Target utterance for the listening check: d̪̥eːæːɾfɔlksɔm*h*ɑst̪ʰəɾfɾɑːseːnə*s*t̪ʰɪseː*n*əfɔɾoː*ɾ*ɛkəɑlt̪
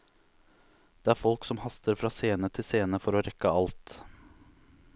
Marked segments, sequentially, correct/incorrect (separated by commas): correct, incorrect, correct, correct